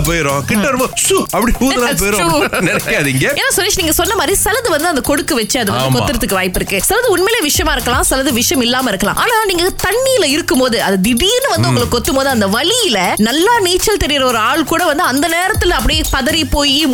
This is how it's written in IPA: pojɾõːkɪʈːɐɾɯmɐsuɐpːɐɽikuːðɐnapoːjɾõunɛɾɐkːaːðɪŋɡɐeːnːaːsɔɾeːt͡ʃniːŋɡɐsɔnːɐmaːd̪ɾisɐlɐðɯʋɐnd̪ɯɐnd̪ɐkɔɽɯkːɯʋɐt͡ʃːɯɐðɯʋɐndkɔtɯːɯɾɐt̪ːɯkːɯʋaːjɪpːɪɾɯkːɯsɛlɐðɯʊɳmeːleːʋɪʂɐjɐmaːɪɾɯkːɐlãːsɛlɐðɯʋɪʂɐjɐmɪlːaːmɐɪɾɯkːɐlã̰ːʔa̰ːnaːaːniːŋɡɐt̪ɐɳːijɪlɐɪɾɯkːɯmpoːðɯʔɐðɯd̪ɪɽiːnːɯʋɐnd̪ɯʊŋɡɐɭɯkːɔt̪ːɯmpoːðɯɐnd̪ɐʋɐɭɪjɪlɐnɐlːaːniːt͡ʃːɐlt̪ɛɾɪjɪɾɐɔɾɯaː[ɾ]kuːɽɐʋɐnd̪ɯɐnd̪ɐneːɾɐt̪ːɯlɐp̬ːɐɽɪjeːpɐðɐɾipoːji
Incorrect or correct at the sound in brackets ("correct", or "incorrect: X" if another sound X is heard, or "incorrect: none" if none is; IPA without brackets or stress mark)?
incorrect: ɭ